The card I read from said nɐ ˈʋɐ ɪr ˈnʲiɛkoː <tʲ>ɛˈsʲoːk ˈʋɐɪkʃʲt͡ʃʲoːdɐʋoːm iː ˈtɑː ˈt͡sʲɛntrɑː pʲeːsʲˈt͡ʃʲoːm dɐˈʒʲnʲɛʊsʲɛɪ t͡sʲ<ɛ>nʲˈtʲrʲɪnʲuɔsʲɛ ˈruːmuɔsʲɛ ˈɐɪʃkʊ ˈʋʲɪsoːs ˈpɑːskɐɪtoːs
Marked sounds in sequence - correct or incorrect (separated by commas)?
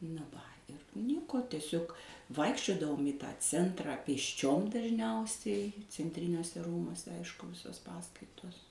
correct, correct